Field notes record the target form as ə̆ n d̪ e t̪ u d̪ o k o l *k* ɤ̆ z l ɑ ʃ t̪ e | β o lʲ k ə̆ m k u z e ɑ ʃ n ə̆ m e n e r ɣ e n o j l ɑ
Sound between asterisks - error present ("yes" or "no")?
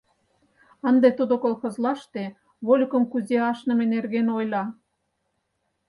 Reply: yes